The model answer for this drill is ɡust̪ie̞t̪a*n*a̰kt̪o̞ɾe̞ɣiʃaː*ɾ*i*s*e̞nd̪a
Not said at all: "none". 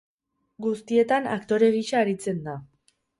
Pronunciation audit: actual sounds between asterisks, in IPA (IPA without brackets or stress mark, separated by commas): n, ɾ, t͡s